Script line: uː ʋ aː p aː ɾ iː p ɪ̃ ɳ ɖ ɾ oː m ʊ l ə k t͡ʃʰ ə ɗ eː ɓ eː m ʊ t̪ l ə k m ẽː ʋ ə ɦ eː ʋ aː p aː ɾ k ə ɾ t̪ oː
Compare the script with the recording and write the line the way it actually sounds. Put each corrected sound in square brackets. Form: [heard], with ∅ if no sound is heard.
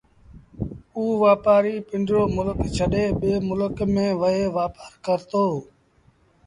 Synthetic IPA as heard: uː ʋ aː p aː ɾ iː p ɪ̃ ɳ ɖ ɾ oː m ʊ l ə k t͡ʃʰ ə ɗ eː ɓ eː m ʊ [∅] l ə k m ẽː ʋ ə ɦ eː ʋ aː p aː ɾ k ə ɾ t̪ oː